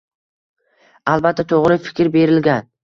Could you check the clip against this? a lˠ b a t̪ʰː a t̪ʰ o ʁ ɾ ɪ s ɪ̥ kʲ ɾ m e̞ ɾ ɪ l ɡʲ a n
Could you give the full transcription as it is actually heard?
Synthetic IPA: a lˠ b a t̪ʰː a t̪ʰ o ʁ ɾ ɪ f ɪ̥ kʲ ɾ b e̞ ɾ ɪ l ɡʲ a n

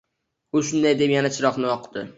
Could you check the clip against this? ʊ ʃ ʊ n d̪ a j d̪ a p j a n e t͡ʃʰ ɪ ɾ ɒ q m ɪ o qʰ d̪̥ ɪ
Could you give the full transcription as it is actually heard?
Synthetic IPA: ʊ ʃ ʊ n d̪ a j d̪ e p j a n a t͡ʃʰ ɪ ɾ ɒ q n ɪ ɒ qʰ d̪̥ ɪ

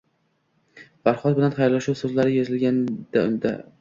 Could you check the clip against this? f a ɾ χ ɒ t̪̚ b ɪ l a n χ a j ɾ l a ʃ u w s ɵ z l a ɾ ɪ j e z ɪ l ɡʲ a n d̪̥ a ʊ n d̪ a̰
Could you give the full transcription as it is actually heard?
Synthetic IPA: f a ɾ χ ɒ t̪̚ b ɪ l a n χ a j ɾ l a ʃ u w s ɵ z l a ɾ ɪ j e z ɪ l ɡʲ a n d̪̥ a ʊ n d̪ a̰

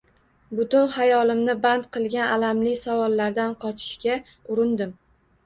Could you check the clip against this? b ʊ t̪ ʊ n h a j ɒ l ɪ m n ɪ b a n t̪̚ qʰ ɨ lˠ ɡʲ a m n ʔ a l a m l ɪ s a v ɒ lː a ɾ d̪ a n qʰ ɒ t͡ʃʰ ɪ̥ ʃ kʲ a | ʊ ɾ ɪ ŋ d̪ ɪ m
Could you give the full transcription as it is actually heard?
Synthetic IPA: b ʊ t̪ ʊ n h a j ɒ l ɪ m n ɪ b a n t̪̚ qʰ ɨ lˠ ɡʲ a n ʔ a l a m l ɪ s a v ɒ lː a ɾ d̪ a n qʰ ɒ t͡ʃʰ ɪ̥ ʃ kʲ a | ʊ ɾ ɪ n d̪ ɪ m

